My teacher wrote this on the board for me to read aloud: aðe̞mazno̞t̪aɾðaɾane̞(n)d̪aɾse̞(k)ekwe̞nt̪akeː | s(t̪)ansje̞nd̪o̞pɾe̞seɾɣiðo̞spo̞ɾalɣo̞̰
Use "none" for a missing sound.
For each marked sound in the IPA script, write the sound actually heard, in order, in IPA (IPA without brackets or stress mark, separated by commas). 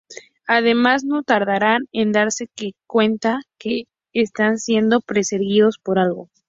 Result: n, k, t̪